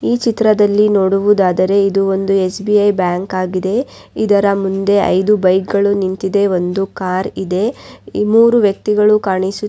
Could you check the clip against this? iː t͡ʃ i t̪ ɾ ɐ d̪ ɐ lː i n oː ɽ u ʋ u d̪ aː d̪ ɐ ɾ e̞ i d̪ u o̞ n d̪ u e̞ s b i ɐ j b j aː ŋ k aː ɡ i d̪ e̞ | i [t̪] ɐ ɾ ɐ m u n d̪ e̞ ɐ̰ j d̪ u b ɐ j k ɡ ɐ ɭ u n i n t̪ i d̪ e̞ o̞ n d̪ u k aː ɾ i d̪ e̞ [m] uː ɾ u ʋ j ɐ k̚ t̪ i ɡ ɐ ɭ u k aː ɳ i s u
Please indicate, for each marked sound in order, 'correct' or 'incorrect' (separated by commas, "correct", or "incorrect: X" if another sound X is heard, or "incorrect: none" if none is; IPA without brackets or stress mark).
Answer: incorrect: d̪, correct